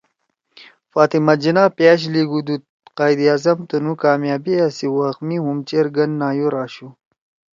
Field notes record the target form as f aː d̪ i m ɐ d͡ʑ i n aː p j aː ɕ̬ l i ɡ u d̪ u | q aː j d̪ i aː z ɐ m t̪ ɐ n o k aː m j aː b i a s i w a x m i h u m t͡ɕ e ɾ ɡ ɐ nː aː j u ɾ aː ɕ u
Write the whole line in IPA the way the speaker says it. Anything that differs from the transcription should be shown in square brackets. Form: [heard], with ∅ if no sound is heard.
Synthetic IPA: f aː [t̪] i m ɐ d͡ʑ i n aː p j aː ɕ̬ l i ɡ u d̪ u | q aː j d̪ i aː z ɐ m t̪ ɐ n [u] k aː m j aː b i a s i w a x m i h u m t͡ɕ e ɾ ɡ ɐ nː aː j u ɾ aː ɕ u